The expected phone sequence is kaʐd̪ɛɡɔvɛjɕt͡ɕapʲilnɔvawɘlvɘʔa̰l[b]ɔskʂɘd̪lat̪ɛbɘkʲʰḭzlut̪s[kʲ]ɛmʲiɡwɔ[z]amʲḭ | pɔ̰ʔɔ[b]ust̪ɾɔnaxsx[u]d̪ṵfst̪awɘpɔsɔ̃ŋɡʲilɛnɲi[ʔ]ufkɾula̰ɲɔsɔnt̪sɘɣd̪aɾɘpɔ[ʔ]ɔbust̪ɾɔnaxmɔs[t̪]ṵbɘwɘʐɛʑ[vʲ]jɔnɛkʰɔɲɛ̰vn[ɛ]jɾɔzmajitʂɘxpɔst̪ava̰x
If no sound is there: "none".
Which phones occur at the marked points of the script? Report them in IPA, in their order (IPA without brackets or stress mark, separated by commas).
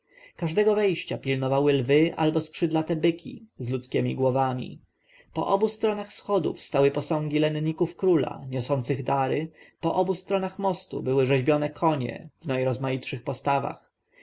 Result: b, kʲ, v, b, ɔ, k, ʔ, t̪, bʲ, a